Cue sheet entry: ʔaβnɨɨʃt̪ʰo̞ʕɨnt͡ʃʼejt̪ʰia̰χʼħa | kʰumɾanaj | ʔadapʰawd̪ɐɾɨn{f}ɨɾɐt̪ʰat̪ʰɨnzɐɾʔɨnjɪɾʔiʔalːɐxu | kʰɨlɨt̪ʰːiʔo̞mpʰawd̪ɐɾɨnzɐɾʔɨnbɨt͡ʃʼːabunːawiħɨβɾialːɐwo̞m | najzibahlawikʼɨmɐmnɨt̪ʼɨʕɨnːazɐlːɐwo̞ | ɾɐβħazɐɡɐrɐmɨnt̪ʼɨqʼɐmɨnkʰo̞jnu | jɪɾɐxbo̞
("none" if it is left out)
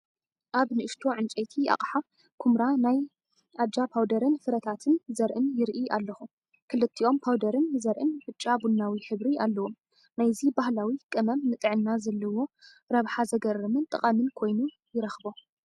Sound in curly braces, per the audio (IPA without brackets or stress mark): f